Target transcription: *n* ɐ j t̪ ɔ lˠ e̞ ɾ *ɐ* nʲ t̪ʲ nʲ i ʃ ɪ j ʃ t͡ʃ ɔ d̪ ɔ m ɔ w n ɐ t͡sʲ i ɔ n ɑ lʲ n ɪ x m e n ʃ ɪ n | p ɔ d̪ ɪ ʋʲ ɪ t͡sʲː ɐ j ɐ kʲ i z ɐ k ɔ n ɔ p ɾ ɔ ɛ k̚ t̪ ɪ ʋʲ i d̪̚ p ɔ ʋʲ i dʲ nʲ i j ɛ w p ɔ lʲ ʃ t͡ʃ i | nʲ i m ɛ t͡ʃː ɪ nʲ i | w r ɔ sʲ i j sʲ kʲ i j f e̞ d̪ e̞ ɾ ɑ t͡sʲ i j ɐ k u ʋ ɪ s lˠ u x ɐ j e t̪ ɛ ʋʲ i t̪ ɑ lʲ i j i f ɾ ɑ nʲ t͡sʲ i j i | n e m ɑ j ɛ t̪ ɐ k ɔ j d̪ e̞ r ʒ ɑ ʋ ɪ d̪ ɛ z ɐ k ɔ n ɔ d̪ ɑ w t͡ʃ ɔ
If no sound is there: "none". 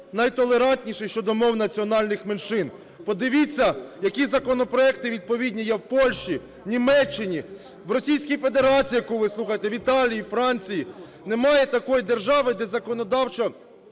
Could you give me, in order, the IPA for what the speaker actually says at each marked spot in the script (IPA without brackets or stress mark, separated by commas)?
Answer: n, ɑ